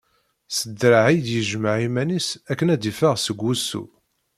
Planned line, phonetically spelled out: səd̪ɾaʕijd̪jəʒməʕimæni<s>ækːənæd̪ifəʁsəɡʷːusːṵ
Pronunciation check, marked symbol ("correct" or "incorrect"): correct